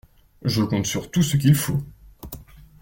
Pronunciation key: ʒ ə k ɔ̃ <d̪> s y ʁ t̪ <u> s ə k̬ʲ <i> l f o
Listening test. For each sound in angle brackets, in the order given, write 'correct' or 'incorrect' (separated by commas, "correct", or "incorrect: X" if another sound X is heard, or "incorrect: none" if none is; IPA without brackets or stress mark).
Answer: incorrect: t̪, correct, correct